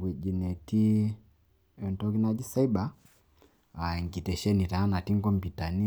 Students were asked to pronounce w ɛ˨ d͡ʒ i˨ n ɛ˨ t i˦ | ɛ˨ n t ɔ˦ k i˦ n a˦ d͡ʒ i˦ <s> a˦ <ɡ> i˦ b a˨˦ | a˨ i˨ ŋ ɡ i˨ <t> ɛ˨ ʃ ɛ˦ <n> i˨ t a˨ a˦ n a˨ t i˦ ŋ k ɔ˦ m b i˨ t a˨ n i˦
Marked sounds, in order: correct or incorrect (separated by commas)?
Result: correct, incorrect, correct, correct